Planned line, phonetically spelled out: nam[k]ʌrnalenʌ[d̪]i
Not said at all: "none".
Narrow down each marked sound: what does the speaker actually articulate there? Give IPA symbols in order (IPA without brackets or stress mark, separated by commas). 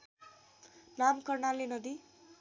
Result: k, d̪